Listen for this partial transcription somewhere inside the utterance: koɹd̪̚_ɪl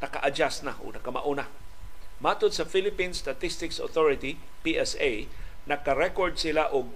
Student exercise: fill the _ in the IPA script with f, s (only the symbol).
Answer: s